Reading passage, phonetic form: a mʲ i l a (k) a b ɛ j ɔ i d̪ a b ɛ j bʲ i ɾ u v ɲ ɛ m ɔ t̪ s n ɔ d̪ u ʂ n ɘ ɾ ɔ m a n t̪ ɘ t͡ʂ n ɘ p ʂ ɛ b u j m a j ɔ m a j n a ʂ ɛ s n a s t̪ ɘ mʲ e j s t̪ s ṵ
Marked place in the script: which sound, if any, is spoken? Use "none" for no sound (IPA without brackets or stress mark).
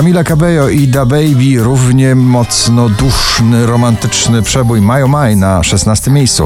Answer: k